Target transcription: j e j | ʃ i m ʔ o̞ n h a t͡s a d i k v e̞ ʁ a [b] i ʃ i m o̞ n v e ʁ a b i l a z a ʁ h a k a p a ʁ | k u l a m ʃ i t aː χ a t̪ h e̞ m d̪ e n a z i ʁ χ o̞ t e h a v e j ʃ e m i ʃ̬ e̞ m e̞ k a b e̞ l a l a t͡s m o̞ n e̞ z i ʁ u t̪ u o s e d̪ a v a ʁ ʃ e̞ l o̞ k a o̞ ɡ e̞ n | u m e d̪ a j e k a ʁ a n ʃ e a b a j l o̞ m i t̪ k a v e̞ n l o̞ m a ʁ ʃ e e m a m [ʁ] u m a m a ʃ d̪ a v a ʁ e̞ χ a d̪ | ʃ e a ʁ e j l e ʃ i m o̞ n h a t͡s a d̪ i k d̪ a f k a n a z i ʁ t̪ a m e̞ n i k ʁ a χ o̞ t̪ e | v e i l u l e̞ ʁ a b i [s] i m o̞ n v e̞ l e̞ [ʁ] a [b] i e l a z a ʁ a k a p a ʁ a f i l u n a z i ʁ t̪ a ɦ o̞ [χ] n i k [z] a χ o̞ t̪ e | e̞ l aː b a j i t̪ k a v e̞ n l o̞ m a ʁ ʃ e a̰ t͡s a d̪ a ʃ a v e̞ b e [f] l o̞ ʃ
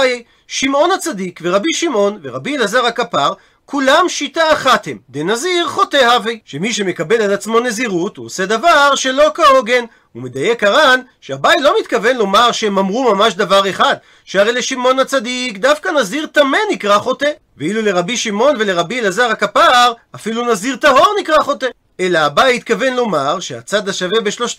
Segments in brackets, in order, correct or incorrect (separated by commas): correct, correct, incorrect, correct, correct, incorrect, incorrect, incorrect